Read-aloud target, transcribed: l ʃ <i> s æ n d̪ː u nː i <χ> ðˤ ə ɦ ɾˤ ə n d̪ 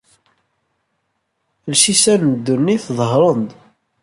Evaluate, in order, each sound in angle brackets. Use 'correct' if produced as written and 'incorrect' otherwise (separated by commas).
correct, incorrect